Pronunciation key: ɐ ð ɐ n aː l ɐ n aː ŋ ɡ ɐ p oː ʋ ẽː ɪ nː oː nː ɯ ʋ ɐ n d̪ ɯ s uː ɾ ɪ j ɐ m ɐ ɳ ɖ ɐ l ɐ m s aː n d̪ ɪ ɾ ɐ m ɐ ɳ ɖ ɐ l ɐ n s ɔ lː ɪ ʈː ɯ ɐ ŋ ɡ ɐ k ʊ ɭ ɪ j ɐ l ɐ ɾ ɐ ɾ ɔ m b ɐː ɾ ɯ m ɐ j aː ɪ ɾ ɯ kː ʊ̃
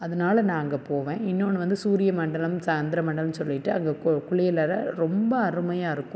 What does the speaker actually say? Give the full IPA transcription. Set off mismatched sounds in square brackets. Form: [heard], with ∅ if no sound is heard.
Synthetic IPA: ɐ ð ɐ n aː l ɐ n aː ŋ ɡ ɐ p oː ʋ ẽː ɪ nː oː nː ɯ ʋ ɐ n d̪ ɯ s uː ɾ ɪ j ɐ m ɐ ɳ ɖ ɐ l ɐ m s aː n d̪ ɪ ɾ ɐ m ɐ ɳ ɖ ɐ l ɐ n s ɔ lː ɪ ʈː ɯ ɐ ŋ ɡ ɐ k ʊ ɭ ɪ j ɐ l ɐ ɾ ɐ ɾ ɔ m b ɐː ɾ ɯ m ɐ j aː ɪ ɾ ɯ kː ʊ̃